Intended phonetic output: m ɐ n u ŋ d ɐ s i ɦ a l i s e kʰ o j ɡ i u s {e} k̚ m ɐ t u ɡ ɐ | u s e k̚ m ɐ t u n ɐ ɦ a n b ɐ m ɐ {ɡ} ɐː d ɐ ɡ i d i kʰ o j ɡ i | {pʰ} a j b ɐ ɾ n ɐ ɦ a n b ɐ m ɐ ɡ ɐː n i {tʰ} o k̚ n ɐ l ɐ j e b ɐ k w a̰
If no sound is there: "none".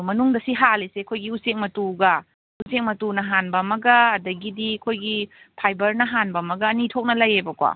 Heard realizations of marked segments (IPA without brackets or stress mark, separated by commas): e, ɡ, pʰ, tʰ